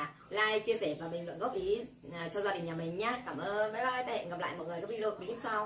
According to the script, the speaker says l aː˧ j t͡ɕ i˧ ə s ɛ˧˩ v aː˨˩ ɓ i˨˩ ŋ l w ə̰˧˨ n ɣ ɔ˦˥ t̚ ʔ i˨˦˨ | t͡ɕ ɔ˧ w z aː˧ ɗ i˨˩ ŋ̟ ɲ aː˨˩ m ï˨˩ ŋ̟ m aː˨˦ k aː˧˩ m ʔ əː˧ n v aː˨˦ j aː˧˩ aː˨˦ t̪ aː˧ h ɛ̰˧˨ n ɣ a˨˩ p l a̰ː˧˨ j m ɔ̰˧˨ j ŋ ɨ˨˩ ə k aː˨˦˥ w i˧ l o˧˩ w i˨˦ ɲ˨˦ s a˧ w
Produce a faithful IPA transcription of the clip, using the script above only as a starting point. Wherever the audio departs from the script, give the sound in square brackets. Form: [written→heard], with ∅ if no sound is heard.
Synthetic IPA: l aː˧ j t͡ɕ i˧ ə s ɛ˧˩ v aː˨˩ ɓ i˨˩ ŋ l w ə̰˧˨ n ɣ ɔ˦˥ [t̚→p̚] ʔ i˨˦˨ | t͡ɕ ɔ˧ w z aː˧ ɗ i˨˩ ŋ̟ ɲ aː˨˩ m ï˨˩ ŋ̟ [m→ɲ] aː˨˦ k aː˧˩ m ʔ əː˧ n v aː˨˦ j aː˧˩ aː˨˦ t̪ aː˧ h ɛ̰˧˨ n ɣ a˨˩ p l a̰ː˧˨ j m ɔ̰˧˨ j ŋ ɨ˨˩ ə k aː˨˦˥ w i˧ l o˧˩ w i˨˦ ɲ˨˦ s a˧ w